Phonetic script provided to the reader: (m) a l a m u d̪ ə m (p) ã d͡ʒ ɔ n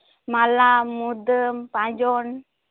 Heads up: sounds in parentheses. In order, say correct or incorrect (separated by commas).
correct, correct